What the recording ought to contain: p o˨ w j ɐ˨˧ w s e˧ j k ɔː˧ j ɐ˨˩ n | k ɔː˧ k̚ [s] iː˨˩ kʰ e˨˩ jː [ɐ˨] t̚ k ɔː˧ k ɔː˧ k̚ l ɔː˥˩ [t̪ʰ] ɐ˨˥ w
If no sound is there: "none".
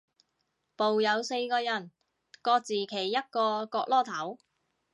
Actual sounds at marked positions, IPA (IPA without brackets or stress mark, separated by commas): t͡s, ɐ˥, t̪ʰ